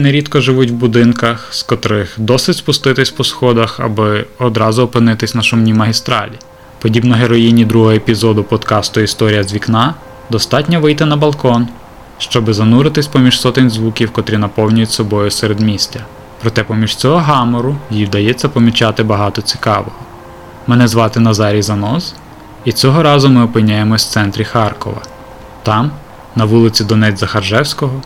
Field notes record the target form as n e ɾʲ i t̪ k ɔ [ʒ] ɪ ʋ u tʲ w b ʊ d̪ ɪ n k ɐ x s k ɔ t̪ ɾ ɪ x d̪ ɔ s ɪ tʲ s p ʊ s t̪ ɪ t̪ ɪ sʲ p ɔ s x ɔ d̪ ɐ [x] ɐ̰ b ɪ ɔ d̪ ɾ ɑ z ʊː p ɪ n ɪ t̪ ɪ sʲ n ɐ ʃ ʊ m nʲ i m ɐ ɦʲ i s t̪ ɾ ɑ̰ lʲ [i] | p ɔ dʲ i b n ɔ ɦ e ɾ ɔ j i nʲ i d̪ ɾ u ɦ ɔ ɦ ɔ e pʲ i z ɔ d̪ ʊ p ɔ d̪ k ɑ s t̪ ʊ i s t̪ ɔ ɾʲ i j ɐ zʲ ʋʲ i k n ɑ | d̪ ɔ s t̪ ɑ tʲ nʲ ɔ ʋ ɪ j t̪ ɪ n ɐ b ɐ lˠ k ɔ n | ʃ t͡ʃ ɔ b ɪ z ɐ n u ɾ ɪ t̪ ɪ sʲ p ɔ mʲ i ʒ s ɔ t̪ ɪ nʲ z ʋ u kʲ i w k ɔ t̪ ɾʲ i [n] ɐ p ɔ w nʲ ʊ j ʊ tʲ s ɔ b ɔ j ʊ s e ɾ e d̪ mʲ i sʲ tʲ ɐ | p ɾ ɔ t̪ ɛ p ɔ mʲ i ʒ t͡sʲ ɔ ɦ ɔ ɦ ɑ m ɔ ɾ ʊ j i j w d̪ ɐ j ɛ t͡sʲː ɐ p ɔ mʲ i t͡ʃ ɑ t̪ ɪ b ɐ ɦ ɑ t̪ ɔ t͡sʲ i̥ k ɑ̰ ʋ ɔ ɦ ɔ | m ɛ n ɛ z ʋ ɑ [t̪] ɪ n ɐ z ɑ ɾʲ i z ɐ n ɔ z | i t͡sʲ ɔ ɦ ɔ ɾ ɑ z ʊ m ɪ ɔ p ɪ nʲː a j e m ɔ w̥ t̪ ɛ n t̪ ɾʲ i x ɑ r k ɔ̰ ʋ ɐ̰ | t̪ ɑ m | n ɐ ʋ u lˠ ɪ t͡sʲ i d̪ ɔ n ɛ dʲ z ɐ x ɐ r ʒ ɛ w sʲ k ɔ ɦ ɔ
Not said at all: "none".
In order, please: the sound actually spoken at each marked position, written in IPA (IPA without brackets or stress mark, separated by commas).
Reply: ʒ, x, i, n, t̪